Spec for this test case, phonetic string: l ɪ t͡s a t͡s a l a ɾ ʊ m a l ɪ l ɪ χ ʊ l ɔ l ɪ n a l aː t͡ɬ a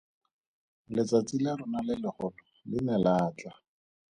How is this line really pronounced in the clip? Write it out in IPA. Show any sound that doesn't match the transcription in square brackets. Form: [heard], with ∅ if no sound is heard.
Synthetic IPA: l ɪ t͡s a t͡s [i] l a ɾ ʊ [n] a l ɪ l ɪ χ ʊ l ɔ l ɪ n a l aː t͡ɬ a

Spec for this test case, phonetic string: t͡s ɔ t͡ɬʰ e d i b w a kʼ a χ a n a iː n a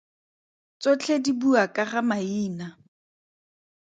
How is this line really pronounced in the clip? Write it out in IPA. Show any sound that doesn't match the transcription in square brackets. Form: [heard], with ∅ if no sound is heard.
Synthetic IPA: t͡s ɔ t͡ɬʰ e d i b [u] a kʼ a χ a [m] a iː n a

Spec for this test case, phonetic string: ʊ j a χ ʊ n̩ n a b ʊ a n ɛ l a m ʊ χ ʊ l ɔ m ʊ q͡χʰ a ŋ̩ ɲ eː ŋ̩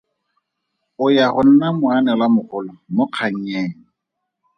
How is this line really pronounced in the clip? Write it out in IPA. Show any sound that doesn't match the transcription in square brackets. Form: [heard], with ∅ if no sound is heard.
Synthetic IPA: ʊ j a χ ʊ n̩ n a [m] ʊ a n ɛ l a m ʊ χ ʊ l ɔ m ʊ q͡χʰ a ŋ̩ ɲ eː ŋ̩

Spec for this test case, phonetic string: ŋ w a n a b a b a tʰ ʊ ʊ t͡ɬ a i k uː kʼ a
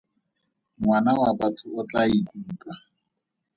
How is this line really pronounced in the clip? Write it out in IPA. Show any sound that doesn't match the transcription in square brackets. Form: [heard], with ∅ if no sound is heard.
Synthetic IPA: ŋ w a n a [w] a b a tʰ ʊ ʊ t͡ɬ a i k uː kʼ a

